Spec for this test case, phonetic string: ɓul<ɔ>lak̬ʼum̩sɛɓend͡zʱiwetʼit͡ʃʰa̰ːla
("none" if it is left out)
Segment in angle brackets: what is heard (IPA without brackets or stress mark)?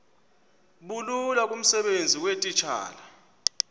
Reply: u